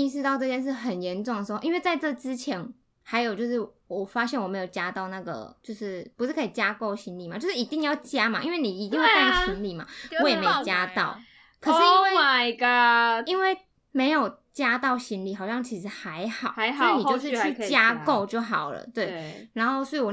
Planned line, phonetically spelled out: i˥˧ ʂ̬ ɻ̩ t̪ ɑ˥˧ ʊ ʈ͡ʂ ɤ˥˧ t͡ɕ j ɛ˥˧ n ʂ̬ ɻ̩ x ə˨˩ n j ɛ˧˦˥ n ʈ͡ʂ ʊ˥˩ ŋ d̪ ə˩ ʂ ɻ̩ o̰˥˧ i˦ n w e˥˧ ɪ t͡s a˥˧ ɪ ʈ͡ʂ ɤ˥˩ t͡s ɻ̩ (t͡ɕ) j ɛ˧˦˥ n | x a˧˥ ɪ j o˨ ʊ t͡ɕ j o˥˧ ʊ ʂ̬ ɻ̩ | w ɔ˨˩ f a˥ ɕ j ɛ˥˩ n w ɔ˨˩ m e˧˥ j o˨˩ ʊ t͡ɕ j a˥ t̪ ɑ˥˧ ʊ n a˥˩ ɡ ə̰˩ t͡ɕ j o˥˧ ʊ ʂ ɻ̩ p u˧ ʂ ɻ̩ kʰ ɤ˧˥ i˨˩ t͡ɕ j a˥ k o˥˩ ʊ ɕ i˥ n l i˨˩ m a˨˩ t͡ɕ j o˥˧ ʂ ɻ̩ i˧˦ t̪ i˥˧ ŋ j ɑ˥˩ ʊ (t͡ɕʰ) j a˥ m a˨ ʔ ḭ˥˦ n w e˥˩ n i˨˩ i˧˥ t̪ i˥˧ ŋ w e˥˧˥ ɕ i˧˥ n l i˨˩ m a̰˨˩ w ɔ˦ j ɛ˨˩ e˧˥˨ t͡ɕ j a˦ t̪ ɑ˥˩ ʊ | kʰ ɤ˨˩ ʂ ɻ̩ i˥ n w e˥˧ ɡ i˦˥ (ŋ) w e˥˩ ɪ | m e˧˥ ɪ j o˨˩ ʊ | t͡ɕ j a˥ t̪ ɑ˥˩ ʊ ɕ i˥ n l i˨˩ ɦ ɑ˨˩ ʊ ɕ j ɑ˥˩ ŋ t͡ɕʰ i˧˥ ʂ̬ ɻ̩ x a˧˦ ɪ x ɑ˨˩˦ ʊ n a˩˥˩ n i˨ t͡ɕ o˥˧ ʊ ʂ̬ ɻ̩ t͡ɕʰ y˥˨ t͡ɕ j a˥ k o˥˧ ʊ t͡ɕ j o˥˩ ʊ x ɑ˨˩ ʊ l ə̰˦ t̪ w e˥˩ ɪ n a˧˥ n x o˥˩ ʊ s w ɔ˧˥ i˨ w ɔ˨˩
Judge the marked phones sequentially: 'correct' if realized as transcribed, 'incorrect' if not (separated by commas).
incorrect, incorrect, incorrect